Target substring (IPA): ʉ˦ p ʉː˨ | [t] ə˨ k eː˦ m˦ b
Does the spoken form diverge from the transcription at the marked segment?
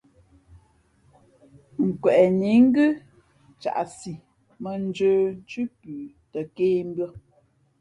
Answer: no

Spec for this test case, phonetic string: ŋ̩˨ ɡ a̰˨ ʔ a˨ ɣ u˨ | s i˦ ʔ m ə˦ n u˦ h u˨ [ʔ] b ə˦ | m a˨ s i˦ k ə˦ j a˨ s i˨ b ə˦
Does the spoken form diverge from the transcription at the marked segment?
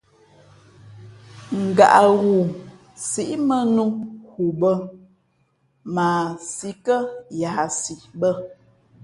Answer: yes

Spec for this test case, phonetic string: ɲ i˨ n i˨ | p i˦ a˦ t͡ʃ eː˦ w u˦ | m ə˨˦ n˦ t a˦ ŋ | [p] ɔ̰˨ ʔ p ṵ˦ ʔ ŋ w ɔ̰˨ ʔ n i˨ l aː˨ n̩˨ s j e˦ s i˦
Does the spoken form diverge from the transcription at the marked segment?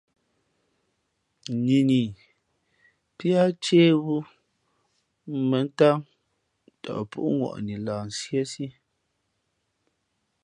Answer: yes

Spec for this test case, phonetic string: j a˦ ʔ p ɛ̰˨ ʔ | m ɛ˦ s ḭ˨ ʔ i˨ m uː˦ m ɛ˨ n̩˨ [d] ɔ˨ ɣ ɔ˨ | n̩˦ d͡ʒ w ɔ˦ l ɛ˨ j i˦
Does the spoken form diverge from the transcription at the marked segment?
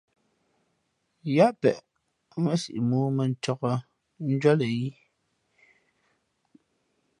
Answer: yes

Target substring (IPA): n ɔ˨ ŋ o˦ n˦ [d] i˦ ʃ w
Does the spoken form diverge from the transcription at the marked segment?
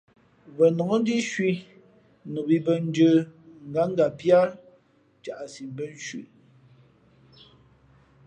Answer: no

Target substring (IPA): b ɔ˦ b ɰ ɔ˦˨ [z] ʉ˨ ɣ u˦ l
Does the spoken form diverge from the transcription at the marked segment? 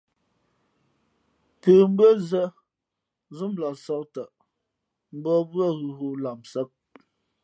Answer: yes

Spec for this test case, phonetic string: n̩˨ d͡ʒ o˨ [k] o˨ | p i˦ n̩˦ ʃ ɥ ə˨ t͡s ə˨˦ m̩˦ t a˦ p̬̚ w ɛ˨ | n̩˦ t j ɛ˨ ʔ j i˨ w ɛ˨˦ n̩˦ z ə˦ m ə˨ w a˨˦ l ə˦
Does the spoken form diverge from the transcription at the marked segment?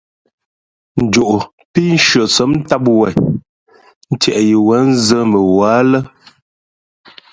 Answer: yes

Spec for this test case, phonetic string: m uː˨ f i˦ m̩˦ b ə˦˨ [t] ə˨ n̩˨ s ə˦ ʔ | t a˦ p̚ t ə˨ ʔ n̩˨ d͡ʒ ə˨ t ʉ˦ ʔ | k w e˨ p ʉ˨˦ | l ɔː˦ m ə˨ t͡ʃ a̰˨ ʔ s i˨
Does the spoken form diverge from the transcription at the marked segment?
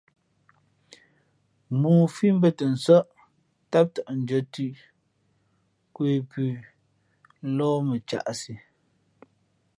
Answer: no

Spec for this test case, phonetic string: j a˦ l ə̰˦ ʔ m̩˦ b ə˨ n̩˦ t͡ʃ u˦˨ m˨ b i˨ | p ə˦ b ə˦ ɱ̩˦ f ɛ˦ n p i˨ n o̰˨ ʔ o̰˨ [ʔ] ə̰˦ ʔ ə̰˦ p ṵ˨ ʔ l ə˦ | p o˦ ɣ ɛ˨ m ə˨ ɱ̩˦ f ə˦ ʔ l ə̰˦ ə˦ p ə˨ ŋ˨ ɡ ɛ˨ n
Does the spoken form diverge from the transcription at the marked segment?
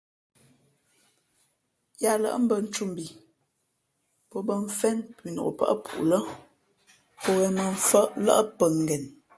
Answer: yes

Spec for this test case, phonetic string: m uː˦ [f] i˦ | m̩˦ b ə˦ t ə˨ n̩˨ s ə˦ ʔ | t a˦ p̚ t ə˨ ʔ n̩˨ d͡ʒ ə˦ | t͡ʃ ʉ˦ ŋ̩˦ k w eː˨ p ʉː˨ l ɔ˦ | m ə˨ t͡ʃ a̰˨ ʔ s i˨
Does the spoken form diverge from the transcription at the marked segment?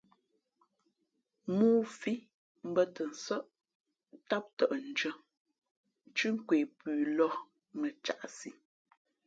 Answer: no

